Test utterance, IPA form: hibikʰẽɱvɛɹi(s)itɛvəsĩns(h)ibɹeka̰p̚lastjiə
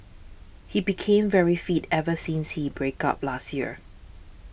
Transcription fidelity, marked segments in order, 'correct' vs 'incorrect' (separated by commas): incorrect, correct